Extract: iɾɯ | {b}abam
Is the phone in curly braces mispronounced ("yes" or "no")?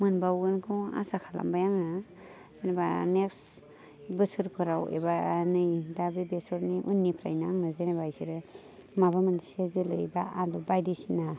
yes